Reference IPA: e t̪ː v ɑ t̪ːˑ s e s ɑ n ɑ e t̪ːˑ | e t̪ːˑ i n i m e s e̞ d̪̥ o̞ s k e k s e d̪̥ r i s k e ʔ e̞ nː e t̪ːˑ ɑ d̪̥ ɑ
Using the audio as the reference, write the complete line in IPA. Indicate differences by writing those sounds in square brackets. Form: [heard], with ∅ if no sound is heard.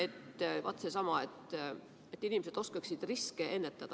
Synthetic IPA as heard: e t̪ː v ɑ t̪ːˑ s e s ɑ [m] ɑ e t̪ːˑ | e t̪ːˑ i n i m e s e̞ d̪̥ o̞ s k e k s [i] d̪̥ r i s k e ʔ e̞ nː e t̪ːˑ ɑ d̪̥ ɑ